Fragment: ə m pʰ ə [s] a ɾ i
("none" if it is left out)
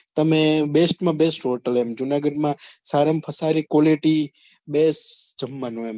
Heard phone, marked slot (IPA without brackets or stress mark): s